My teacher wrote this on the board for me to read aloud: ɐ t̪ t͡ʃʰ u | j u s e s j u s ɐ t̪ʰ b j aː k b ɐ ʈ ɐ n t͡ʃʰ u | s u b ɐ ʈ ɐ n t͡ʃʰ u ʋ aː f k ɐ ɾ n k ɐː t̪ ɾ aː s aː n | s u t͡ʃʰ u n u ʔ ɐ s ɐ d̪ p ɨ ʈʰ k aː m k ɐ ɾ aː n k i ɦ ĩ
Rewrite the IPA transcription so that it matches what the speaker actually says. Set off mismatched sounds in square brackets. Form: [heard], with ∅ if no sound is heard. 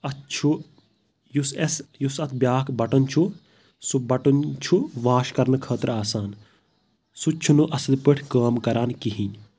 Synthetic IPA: ɐ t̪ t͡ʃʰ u | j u s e s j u s ɐ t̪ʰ b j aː k b ɐ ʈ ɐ n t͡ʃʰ u | s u b ɐ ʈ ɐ n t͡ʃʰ u ʋ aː [ʃ] k ɐ ɾ n [kʰ] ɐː t̪ ɾ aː s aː n | s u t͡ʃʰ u n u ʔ ɐ s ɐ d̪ p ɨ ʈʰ k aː m k ɐ ɾ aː n k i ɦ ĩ